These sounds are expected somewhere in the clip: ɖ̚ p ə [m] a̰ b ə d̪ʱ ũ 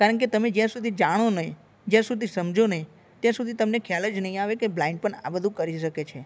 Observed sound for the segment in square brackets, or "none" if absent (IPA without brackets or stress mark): ɳ